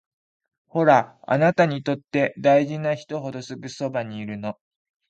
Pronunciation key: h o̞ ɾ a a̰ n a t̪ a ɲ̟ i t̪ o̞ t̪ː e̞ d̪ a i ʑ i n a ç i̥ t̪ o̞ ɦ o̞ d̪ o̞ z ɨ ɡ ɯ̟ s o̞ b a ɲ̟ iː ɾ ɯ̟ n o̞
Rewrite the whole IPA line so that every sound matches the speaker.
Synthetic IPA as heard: h o̞ ɾ a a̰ n a t̪ a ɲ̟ i t̪ o̞ t̪ː e̞ d̪ a i ʑ i n a ç i̥ t̪ o̞ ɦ o̞ d̪ o̞ s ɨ ɡ ɯ̟ s o̞ b a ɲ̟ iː ɾ ɯ̟ n o̞